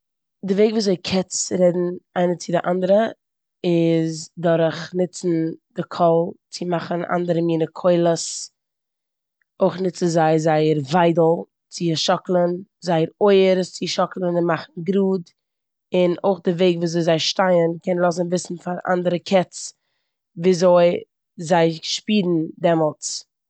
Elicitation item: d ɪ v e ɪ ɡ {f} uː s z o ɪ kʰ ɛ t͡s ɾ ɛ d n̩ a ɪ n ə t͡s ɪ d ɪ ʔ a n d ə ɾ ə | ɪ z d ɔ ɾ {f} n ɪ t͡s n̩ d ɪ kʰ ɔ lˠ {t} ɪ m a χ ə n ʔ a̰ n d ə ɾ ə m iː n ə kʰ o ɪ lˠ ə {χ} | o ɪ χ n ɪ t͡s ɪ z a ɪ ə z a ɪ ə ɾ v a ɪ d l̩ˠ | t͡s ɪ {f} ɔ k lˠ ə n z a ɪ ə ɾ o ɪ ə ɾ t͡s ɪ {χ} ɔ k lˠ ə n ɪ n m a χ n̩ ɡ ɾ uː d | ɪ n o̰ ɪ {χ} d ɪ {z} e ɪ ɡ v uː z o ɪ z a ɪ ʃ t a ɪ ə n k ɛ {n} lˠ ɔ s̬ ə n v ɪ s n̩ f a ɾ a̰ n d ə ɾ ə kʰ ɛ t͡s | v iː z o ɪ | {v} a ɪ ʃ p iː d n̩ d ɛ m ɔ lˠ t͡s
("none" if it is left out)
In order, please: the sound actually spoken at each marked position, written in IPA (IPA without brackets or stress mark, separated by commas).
v, χ, t͡s, s, ʃ, ʃ, χ, v, n, z